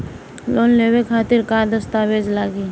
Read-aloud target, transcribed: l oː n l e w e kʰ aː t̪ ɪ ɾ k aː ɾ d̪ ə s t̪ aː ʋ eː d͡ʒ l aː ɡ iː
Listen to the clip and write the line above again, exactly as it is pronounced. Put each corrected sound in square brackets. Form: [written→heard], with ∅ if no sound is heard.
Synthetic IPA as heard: l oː n l e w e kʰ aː t̪ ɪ ɾ k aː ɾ d̪ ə s t̪ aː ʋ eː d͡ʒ l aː ɡ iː

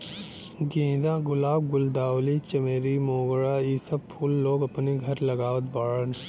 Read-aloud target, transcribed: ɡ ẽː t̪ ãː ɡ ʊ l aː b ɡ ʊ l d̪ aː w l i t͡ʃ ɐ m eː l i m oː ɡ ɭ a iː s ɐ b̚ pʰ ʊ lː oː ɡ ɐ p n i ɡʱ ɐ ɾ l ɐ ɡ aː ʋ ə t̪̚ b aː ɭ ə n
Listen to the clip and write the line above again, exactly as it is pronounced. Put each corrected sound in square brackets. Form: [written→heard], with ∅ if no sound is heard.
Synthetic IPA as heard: ɡ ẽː [t̪→d̪] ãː ɡ ʊ l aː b ɡ ʊ l d̪ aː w l i t͡ʃ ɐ m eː [l→ɾ] i m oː ɡ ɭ a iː s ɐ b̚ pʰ ʊ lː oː ɡ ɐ p n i ɡʱ ɐ ɾ l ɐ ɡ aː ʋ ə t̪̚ b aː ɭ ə n

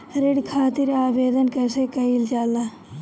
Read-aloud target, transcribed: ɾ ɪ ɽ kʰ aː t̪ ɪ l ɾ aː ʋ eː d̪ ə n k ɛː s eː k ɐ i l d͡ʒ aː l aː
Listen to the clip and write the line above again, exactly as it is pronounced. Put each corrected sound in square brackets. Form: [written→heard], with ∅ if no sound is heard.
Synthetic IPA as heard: ɾ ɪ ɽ kʰ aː t̪ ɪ [l→∅] ɾ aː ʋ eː d̪ ə n k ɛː s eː k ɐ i l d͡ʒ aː l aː

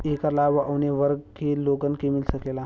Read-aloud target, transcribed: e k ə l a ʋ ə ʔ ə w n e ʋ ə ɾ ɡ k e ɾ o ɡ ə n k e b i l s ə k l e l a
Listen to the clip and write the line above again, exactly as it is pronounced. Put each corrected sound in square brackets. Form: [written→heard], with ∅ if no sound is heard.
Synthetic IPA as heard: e k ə l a ʋ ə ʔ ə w n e ʋ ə ɾ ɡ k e [ɾ→l] o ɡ ə n k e [b→m] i l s ə k l e l a

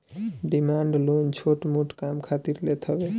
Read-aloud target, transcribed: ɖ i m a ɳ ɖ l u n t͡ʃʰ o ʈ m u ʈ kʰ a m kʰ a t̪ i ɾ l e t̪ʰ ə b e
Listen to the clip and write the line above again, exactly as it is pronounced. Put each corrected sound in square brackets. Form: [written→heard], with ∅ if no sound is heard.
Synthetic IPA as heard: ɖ i m a ɳ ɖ l [u→o] n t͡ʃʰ o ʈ m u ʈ [kʰ→k] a m kʰ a t̪ i ɾ l e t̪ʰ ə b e

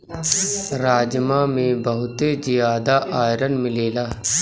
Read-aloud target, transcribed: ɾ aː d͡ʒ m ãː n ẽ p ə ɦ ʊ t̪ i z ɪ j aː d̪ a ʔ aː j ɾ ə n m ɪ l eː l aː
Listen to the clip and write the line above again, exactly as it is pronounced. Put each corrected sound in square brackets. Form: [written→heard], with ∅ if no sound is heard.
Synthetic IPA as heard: ɾ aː d͡ʒ m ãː [n→m] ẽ [p→b] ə ɦ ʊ t̪ [i→e] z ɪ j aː d̪ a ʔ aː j ɾ ə n m ɪ l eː l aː

